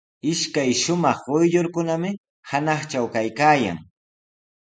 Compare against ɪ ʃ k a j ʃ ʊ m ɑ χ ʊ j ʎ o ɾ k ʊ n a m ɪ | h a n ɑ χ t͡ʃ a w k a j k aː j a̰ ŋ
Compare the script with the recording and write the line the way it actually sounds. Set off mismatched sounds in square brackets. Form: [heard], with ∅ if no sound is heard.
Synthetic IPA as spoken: ɪ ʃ k a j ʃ ʊ m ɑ χ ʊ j ʎ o ɾ k ʊ n a m ɪ | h a n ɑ χ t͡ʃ a w k a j k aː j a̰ ŋ